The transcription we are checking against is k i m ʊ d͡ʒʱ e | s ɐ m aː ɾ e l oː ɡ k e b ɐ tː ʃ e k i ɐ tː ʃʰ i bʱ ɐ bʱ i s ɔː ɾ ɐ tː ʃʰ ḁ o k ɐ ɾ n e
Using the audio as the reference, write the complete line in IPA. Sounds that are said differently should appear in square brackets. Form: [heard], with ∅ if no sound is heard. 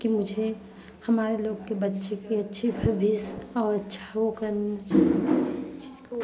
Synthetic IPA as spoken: k i m ʊ d͡ʒʱ e | [h] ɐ m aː ɾ e l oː ɡ k e b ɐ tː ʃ e k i ɐ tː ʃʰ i bʱ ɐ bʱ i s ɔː ɾ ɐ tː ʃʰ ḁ o k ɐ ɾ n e